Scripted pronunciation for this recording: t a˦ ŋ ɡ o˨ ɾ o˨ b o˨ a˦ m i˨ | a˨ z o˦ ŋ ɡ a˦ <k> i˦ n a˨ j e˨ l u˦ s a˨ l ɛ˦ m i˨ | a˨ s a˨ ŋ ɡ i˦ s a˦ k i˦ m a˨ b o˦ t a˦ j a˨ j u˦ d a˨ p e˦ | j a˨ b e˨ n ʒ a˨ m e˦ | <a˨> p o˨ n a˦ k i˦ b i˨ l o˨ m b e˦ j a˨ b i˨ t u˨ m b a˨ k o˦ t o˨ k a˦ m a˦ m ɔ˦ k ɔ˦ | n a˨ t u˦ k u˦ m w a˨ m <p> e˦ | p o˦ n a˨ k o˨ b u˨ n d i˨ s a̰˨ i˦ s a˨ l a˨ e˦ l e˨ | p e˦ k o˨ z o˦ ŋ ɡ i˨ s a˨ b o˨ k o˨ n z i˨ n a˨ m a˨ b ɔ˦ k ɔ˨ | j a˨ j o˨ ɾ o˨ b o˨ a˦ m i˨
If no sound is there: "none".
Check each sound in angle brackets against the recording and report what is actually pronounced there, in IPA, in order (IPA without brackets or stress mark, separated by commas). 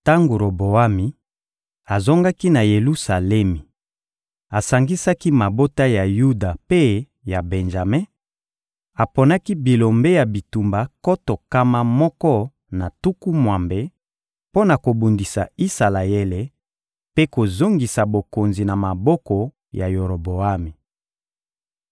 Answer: k, a˨, b